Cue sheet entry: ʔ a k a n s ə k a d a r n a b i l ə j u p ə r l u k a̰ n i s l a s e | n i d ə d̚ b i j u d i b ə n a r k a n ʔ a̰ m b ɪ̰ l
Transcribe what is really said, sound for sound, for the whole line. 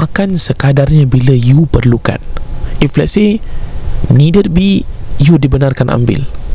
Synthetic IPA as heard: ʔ a k a n s ə k a d a r ɲ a b i l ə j u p ə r l u k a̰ n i f l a s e | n i d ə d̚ b i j u d i b ə n a r k a n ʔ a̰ m b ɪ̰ l